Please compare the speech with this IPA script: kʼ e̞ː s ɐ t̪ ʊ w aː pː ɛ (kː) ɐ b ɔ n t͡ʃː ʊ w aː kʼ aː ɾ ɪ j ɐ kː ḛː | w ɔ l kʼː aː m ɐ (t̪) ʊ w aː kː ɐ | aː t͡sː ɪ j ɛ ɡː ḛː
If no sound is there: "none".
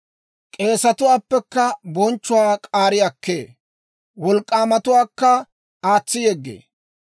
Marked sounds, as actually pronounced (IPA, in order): kː, t̪

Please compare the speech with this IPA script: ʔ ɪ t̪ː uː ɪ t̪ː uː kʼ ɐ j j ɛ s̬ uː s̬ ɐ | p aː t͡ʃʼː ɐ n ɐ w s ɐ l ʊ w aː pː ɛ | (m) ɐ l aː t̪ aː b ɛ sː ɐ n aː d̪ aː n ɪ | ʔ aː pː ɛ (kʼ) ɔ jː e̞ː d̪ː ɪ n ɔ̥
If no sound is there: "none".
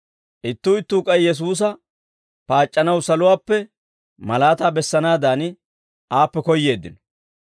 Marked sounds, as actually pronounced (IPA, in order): m, k

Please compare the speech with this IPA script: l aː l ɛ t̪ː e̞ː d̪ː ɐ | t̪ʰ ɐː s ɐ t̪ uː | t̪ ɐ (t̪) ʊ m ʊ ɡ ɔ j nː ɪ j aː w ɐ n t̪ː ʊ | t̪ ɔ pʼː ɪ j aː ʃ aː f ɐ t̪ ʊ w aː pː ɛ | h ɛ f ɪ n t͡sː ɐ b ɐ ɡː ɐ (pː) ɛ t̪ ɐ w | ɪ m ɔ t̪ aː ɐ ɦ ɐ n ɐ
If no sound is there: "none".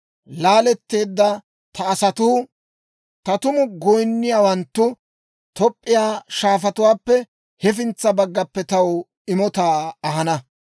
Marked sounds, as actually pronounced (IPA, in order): t̪, pː

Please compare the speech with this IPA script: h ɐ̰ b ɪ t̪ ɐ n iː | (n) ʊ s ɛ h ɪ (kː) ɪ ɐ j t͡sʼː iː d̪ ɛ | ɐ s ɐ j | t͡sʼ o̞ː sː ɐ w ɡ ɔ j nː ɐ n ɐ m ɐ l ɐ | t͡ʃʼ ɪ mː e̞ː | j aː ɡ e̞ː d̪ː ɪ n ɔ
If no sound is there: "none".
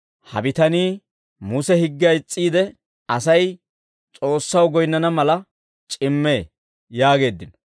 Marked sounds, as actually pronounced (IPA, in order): m, ɡː

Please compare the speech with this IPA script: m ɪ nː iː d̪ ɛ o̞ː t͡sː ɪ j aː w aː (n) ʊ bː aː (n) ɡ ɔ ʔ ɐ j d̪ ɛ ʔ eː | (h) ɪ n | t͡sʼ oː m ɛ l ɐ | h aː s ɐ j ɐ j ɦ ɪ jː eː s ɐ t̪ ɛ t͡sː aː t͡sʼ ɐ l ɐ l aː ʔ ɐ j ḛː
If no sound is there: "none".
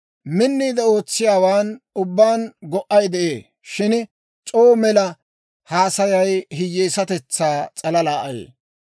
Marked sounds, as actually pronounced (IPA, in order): n, n, ʃ

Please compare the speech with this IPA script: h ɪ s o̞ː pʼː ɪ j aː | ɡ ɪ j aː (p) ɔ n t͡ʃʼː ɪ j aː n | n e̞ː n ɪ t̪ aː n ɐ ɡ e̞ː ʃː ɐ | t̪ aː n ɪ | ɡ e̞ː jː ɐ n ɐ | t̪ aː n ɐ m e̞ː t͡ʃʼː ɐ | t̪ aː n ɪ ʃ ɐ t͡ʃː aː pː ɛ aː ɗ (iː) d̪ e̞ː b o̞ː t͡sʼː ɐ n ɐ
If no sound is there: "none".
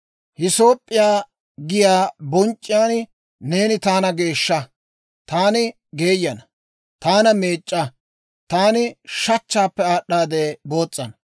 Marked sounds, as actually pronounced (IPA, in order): b, aː

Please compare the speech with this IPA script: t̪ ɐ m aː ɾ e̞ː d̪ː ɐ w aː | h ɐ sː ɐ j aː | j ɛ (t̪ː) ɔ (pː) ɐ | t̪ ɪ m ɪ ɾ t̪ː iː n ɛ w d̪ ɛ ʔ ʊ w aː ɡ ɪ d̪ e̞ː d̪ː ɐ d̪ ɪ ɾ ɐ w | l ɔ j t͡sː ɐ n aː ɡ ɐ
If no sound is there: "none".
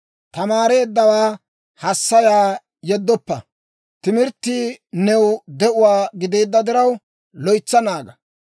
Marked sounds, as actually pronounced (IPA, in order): d̪ː, pː

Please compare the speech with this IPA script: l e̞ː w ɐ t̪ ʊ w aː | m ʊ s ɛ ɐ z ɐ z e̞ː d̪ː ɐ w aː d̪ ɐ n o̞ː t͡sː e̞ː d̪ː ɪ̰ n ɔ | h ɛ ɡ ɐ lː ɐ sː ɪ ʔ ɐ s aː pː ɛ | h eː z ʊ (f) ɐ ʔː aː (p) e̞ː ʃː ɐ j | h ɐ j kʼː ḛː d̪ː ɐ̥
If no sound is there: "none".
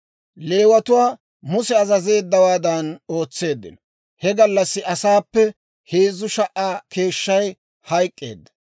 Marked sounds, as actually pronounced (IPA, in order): ʃ, k

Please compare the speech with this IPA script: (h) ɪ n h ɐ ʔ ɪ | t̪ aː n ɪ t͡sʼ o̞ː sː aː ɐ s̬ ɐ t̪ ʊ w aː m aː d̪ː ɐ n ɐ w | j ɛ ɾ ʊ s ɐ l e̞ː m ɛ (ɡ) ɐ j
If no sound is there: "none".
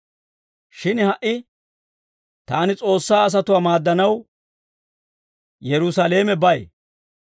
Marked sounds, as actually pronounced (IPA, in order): ʃ, b

